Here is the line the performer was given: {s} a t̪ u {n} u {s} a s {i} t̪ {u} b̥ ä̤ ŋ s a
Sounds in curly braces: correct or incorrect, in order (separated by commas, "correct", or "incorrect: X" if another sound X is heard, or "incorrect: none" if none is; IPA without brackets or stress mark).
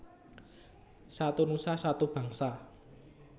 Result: correct, correct, correct, incorrect: a, correct